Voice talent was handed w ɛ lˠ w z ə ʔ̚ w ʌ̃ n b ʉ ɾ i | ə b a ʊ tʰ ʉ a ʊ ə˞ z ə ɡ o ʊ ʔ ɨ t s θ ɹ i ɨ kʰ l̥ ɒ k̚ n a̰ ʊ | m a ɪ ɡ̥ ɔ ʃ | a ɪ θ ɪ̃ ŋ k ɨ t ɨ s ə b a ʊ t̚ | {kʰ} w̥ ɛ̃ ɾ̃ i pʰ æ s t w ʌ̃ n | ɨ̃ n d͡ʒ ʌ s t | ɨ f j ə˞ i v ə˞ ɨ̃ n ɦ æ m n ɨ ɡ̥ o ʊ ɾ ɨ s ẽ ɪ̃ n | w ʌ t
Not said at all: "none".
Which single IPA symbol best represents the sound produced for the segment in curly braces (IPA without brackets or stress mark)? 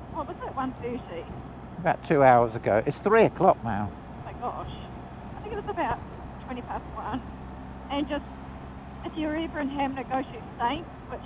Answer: tʰ